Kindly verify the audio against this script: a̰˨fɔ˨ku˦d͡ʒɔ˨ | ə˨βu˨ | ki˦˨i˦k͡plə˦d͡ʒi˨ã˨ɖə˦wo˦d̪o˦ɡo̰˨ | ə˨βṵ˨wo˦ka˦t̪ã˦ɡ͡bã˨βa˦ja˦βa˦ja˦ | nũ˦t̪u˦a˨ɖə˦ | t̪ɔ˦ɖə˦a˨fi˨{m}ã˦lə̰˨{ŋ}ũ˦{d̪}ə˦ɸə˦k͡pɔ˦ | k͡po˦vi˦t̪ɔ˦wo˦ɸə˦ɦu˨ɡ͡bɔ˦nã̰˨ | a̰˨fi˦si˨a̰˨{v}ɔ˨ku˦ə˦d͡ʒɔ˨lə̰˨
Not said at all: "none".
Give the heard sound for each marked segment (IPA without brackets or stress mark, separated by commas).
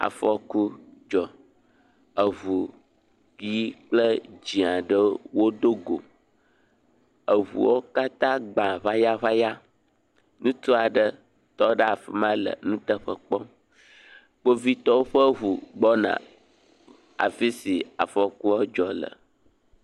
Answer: m, n, t̪, f